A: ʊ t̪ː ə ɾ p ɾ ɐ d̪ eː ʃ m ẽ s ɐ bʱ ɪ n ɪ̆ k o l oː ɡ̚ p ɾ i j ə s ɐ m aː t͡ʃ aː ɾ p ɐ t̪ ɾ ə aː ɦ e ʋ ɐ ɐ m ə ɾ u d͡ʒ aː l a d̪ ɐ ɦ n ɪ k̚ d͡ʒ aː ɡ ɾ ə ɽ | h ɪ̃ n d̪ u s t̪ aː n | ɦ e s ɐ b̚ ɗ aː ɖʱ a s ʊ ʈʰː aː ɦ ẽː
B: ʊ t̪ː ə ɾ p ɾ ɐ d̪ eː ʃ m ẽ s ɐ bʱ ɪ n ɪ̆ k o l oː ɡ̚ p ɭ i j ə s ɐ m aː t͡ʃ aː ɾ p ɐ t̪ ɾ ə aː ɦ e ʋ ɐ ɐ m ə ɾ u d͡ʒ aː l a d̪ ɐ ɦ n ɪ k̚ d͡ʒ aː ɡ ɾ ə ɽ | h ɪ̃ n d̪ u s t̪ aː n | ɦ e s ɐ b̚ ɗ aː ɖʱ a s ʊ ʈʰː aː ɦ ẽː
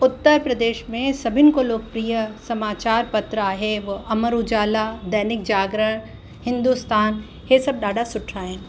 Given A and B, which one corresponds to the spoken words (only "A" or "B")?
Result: A